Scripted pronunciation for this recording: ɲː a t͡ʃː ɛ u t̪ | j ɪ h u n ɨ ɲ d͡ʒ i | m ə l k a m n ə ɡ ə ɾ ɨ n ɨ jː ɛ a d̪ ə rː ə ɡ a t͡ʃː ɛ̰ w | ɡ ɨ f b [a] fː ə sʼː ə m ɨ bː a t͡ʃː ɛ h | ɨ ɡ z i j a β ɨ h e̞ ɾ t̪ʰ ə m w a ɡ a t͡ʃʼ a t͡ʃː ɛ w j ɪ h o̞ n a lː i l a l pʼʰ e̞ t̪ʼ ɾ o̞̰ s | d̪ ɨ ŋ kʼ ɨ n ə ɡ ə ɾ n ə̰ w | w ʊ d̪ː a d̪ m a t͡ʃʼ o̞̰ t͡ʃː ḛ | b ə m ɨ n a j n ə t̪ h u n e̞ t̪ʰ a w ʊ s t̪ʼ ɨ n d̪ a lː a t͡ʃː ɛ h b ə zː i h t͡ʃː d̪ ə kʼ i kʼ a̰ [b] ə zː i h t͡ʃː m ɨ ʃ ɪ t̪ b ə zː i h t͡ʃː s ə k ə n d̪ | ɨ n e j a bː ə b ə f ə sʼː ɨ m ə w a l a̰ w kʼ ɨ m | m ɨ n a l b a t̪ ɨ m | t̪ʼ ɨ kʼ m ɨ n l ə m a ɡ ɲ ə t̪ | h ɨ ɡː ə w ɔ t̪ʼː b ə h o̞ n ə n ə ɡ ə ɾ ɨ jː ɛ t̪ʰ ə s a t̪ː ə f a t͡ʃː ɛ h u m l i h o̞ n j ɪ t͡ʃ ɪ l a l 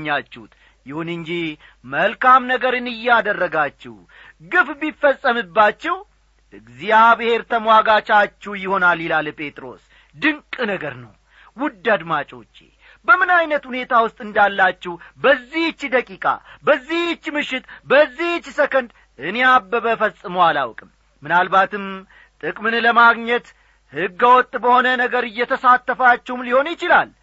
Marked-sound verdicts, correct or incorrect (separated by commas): incorrect, correct